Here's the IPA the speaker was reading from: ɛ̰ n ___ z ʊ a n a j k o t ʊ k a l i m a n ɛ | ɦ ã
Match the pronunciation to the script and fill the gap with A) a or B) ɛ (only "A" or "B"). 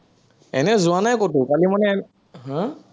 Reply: B